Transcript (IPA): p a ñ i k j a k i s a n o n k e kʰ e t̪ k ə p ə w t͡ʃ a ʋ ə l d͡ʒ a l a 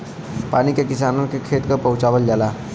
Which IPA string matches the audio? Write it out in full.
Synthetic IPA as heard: p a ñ i k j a k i s a n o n k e kʰ e t̪ k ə p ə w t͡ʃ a ʋ ə l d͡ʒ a l a